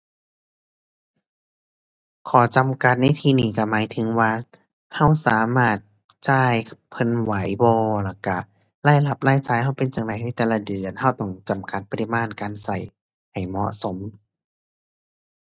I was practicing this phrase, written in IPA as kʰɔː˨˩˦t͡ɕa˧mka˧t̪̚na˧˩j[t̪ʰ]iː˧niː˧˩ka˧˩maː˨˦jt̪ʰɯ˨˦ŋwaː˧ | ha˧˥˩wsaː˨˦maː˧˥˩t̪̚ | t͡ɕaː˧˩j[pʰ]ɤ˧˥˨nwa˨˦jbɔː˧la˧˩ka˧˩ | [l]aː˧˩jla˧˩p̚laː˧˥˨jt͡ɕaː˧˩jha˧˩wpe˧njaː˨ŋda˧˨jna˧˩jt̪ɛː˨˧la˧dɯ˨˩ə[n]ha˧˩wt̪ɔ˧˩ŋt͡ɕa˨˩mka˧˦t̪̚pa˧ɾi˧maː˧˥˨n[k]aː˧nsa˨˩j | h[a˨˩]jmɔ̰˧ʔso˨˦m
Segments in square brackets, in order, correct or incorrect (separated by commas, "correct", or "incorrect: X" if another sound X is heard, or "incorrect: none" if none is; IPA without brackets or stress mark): correct, correct, correct, correct, correct, correct